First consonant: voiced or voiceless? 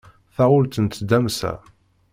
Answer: voiceless